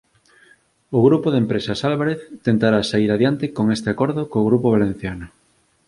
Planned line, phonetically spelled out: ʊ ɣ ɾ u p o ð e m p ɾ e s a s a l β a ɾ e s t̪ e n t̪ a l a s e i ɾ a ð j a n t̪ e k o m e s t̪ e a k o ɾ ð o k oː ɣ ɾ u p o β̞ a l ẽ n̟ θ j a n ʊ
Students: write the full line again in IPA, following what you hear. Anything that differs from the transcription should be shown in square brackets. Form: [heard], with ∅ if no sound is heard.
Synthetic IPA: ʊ ɣ ɾ u p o ð e m p ɾ e s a s a l β a ɾ e [θ] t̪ e n t̪ a [ɾ] a s [a] i ɾ a ð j a n t̪ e k o [ŋ] e s t̪ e a k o ɾ ð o k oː ɣ ɾ u p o β̞ a l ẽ n̟ θ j a n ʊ